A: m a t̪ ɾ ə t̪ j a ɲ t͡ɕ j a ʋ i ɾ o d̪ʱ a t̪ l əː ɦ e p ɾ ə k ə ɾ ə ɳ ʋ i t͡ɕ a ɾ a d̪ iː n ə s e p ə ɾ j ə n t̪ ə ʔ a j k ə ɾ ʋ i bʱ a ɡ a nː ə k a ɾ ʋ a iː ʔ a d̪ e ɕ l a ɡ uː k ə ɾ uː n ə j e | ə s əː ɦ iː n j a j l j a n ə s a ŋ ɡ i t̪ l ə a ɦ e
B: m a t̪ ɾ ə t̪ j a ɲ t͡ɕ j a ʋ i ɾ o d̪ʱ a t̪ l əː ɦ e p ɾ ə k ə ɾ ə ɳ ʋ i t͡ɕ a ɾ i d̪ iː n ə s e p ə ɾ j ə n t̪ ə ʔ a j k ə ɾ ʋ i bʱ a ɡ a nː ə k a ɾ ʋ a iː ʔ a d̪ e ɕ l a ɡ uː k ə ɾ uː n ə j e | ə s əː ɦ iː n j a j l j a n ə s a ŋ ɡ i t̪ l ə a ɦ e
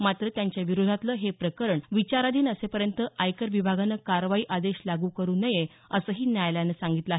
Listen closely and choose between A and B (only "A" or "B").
A